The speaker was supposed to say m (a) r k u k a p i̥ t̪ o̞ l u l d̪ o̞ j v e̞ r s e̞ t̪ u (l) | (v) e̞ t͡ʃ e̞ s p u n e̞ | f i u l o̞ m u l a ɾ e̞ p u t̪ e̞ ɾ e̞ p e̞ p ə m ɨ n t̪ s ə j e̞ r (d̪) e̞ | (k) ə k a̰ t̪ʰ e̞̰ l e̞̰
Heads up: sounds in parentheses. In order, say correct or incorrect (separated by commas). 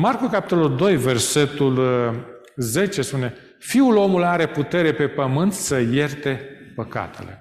correct, correct, incorrect, incorrect, incorrect